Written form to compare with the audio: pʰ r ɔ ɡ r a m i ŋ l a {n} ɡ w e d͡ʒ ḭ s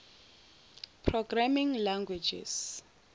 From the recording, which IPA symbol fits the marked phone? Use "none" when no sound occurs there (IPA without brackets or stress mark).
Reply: ŋ